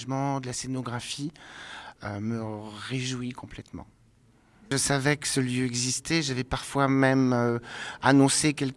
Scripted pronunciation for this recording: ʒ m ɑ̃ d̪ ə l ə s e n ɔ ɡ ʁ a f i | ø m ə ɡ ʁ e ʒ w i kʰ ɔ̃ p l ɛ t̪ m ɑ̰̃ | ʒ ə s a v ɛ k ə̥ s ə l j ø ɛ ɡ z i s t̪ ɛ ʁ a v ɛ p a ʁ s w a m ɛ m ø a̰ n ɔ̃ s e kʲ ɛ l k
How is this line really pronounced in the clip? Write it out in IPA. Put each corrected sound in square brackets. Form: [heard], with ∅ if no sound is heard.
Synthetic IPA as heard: ʒ m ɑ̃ d̪ ə l [a] s e n ɔ ɡ ʁ a f i | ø m ə [∅] ʁ e ʒ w i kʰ ɔ̃ p l ɛ t̪ m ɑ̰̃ | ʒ ə s a v ɛ k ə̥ s ə l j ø ɛ ɡ z i s t̪ ɛ [ʒ] a v ɛ p a ʁ [f] w a m ɛ m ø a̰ n ɔ̃ s e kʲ ɛ l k